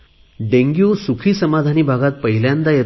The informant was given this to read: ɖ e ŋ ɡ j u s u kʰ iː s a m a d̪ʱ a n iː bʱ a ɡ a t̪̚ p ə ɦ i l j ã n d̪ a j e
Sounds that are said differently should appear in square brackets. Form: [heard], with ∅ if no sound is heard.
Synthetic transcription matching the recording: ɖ e ŋ ɡ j u s u kʰ iː s [ə] m a d̪ʱ a n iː bʱ a ɡ a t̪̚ p ə ɦ i l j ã n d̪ a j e